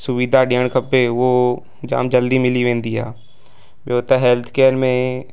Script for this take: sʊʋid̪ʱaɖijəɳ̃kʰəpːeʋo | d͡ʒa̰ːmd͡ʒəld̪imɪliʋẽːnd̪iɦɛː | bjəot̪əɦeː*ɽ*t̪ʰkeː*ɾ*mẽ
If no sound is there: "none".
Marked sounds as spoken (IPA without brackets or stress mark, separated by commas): l, ɾ